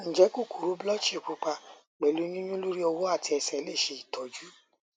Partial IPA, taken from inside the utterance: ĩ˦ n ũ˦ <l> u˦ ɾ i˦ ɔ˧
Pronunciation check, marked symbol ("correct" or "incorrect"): correct